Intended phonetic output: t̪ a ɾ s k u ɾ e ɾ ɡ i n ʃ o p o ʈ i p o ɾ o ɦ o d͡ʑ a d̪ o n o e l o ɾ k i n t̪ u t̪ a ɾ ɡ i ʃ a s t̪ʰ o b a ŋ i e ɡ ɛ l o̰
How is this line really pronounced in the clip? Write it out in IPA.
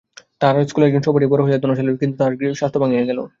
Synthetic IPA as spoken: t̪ a ɾ s k u l e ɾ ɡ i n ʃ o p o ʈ i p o ɾ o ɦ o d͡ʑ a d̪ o n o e l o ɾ k i n t̪ u t̪ a ɾ ɡ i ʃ a s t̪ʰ o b a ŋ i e ɡ ɛ l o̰